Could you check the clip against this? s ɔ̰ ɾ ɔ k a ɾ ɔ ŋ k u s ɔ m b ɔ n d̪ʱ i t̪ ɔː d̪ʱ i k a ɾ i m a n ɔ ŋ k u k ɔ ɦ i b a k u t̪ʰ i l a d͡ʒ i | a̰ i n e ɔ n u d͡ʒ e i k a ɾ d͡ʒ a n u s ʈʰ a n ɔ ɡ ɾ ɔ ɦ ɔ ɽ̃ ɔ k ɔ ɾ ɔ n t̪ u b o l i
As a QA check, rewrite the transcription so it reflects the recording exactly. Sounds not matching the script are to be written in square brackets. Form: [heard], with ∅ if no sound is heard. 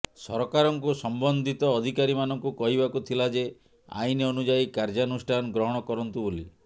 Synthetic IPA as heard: s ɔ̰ ɾ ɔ k a ɾ ɔ ŋ k u s ɔ m b ɔ n d̪ʱ i t̪ ɔː d̪ʱ i k a ɾ i m a n ɔ ŋ k u k ɔ ɦ i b a k u t̪ʰ i l a d͡ʒ [e] | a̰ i n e ɔ n u d͡ʒ [a] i k a ɾ d͡ʒ a n u s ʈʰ a n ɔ ɡ ɾ ɔ ɦ ɔ ɽ̃ ɔ k ɔ ɾ ɔ n t̪ u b o l i